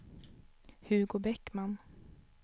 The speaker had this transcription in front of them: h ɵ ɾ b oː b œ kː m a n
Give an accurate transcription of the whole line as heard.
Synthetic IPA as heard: h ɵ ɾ ɡ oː b ɛ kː m a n